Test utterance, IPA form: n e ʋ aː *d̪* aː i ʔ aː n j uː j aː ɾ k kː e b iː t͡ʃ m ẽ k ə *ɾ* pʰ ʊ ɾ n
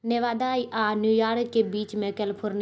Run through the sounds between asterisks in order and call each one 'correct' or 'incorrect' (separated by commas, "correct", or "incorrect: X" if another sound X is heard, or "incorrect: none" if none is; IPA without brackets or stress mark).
correct, incorrect: l